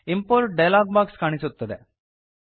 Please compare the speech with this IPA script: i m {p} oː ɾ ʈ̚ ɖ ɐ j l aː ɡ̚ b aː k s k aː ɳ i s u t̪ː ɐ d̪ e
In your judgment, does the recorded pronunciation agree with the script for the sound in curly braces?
yes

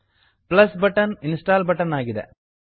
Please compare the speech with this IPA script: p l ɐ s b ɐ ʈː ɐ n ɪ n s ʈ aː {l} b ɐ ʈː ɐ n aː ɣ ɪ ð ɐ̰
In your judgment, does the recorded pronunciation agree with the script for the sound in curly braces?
yes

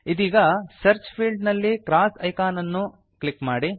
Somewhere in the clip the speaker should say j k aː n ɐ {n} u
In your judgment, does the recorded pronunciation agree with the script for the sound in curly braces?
no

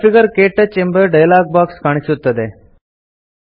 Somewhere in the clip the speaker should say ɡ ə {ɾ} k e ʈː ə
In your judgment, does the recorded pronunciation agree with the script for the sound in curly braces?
yes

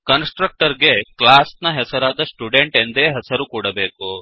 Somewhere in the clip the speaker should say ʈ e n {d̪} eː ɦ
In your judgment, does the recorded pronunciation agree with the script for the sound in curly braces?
yes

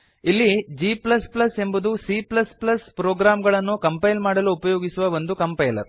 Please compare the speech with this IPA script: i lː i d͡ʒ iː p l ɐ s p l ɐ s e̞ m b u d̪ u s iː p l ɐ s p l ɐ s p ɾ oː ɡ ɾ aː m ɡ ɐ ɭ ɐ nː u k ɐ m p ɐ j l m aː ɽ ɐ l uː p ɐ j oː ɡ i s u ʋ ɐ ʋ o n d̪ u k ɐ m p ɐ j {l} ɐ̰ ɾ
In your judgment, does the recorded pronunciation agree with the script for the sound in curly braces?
yes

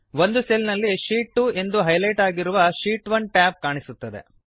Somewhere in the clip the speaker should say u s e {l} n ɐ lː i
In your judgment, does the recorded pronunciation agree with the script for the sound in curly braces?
yes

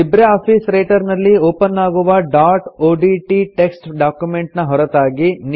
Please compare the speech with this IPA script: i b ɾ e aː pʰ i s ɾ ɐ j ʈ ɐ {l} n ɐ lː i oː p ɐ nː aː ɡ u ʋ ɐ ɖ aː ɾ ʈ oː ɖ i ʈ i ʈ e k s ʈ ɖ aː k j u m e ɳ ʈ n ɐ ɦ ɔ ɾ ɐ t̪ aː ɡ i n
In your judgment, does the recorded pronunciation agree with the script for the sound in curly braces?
no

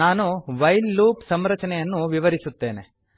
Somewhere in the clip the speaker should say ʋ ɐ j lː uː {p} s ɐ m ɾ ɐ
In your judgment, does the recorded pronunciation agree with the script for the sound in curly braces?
yes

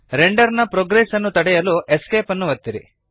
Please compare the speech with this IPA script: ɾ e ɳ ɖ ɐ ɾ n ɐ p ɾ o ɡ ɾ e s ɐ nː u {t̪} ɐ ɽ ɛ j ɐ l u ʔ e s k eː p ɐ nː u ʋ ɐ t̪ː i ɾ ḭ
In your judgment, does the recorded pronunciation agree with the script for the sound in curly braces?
yes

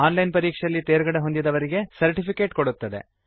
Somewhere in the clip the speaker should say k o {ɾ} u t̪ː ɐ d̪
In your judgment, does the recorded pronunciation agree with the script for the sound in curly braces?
no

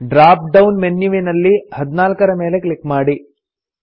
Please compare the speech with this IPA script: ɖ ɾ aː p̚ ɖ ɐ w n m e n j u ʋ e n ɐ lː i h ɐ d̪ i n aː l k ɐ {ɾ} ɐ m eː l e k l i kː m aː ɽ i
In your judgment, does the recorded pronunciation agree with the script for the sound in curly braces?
yes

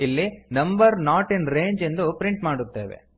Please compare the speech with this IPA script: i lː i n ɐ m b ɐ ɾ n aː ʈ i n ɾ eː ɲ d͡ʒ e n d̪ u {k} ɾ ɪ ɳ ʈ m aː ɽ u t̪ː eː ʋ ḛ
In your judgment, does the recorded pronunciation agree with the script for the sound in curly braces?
no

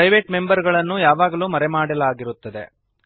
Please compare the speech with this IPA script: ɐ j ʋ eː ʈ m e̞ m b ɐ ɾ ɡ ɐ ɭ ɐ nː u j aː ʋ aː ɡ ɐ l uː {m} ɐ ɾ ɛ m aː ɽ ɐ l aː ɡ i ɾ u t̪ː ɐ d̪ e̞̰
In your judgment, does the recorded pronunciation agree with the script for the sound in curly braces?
yes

